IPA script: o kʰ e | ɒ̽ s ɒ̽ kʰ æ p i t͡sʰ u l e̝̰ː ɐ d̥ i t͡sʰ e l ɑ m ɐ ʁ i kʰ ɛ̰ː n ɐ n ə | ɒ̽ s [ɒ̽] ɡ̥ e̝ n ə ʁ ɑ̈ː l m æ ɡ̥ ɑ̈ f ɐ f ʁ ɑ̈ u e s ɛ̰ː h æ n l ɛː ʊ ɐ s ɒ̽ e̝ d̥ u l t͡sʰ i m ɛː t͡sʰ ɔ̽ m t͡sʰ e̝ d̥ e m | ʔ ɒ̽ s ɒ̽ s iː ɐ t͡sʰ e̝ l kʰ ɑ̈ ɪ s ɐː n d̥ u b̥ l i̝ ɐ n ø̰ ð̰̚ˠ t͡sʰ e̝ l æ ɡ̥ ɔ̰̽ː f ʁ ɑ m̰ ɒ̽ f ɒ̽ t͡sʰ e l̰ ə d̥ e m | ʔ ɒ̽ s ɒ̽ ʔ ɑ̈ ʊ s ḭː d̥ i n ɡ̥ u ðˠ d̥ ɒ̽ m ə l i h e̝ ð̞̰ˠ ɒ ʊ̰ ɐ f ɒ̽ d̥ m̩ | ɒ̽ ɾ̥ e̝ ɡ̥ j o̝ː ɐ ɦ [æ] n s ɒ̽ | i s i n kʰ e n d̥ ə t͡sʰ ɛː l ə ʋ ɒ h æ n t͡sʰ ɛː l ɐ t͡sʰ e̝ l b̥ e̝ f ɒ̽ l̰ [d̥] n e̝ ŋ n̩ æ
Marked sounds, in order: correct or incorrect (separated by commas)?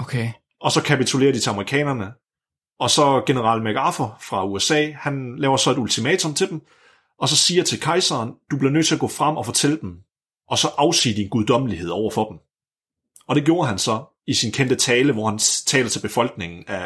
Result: correct, correct, incorrect